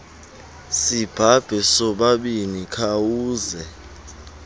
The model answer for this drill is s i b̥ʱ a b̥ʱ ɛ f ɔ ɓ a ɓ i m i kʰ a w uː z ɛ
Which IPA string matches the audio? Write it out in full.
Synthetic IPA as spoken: s i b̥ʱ a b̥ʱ ɛ s ɔ ɓ a ɓ i n i kʰ a w uː z ɛ